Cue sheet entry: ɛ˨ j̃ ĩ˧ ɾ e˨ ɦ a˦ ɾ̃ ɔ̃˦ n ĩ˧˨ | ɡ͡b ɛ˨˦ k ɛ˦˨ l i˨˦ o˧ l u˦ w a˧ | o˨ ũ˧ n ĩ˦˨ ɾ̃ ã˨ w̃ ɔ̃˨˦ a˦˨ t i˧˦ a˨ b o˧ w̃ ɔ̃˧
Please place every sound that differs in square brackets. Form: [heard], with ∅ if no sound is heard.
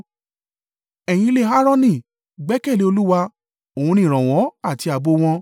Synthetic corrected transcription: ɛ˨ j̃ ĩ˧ [l] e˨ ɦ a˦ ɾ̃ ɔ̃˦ n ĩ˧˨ | ɡ͡b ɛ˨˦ k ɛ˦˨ l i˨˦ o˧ l u˦ w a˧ | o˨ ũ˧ n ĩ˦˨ ɾ̃ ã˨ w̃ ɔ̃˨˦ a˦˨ t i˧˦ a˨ b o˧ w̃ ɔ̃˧